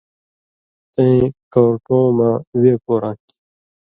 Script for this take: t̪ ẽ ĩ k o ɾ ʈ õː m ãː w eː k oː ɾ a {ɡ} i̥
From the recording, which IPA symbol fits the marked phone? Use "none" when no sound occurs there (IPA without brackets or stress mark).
k